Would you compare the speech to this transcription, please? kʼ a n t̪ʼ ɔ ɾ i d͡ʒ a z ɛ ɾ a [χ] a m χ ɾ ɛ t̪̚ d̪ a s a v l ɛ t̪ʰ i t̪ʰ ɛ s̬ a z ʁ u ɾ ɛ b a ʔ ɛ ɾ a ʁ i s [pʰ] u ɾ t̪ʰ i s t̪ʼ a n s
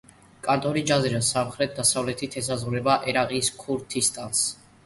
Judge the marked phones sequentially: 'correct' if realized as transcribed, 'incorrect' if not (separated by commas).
incorrect, incorrect